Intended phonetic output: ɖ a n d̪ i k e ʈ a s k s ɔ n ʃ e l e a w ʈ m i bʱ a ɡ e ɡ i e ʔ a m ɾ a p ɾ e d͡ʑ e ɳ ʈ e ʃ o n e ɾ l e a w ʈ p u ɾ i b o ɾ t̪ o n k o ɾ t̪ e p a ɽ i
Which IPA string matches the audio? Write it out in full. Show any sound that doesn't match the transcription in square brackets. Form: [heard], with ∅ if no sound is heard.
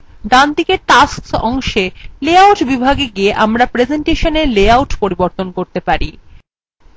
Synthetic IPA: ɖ a n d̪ i k e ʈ a s k s ɔ [ŋ] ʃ e l e a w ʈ [b] i bʱ a ɡ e ɡ i e ʔ a m ɾ a p ɾ e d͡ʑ e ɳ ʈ e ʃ o n e ɾ l e a w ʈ p [o] ɾ i b o ɾ t̪ o n k o ɾ t̪ e p a [ɾ] i